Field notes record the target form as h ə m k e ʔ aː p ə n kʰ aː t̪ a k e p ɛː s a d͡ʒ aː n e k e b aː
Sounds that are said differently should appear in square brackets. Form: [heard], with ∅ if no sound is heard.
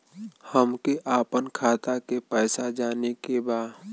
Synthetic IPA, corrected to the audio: h ə m k e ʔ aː p ə n kʰ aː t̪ a k e p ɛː s a d͡ʒ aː n e k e b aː